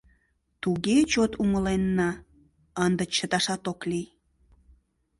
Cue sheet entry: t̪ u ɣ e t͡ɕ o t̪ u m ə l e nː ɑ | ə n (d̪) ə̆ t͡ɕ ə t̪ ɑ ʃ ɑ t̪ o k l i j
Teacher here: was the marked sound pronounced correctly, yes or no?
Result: yes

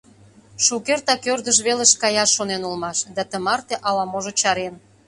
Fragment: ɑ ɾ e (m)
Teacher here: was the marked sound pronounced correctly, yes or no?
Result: no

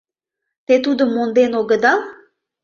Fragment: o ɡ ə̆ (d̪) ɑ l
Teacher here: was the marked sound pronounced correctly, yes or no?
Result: yes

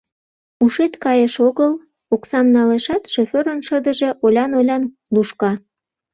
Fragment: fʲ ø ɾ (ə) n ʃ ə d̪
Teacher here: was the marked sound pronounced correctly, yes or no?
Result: yes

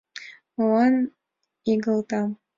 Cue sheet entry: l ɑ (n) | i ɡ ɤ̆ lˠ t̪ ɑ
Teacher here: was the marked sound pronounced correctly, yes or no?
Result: yes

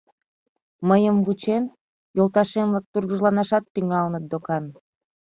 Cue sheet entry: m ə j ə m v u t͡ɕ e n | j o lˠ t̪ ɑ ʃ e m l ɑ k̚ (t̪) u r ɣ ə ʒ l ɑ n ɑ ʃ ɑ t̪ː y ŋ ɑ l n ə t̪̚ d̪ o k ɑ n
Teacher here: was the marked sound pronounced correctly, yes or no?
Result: yes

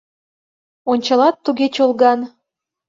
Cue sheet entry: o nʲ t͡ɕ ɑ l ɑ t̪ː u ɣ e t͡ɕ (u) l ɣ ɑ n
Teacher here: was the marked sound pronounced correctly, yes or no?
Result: no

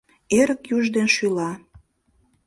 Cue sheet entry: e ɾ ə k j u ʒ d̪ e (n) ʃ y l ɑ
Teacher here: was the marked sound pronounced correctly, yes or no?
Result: yes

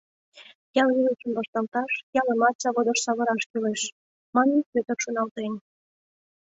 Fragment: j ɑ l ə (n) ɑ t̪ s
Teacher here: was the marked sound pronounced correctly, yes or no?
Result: no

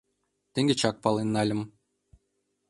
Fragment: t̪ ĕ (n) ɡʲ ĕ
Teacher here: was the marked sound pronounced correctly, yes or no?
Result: no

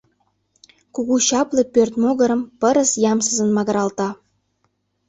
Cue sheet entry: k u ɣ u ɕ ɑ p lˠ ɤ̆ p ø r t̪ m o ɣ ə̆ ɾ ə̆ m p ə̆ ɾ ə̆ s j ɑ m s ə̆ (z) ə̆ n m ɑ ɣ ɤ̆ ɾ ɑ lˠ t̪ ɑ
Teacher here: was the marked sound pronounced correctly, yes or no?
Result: yes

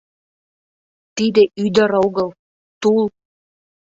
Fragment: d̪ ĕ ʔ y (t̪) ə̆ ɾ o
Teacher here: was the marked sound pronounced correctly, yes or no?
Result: no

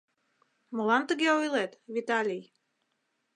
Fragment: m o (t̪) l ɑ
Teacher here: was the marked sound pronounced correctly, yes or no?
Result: no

